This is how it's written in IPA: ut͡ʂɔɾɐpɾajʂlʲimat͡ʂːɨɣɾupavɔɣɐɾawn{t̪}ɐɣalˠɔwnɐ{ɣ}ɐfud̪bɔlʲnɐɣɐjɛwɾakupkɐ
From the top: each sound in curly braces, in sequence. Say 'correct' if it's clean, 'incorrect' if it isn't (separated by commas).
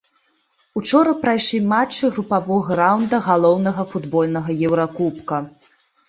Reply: incorrect, correct